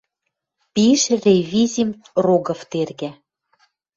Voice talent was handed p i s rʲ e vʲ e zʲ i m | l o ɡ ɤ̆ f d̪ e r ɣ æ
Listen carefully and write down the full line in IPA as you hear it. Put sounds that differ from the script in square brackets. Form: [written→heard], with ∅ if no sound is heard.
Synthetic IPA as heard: p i [s→ʃ] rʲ e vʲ [e→i] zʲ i m | [l→r] o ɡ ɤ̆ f [d̪→t̪] e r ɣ æ